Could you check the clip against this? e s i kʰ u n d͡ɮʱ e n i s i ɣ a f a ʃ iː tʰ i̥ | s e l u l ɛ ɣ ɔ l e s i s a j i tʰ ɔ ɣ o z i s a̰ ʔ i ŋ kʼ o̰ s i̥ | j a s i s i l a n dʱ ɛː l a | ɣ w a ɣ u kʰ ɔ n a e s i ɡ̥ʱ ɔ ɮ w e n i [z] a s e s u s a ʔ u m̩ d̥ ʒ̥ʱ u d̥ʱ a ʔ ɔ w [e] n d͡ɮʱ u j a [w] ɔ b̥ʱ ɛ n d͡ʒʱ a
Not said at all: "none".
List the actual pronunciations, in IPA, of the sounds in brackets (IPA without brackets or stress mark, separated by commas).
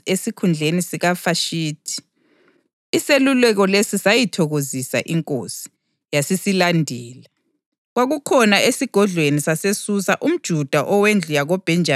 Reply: s, e, ɣ